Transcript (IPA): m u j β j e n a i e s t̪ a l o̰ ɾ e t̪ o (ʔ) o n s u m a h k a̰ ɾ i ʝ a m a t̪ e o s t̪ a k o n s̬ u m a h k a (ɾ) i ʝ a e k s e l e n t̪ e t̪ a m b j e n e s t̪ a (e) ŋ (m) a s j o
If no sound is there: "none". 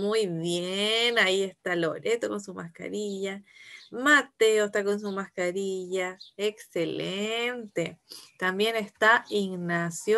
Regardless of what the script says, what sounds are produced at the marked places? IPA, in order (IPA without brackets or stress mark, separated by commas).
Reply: k, ɾ, i, n